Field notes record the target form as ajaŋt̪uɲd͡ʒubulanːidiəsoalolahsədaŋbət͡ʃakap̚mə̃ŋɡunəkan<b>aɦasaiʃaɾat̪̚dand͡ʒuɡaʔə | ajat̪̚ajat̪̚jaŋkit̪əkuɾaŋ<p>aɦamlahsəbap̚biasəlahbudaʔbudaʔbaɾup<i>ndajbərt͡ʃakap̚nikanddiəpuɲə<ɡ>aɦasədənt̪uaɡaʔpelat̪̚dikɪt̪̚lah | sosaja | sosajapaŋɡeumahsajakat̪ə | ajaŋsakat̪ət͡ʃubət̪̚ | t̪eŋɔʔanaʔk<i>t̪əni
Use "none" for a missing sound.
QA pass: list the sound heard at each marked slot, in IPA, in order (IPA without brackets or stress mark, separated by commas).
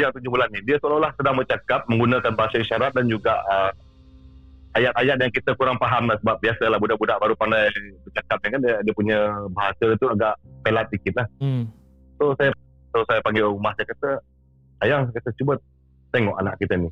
b, p, a, b, i